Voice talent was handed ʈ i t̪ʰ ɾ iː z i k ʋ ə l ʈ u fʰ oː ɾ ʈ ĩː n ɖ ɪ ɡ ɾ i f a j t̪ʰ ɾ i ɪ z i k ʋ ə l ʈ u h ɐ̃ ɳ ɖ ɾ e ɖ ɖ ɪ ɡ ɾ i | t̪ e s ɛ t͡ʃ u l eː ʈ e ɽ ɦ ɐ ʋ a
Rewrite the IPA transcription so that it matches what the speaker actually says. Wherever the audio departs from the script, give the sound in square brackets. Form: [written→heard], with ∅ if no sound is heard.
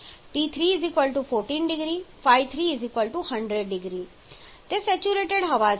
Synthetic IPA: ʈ i t̪ʰ ɾ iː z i k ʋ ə l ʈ u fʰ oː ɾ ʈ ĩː n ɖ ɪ ɡ ɾ i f a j t̪ʰ ɾ i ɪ z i k ʋ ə l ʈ u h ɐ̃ ɳ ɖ ɾ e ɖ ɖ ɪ ɡ ɾ i | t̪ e s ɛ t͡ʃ u [l→ɾ] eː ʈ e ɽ ɦ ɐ ʋ a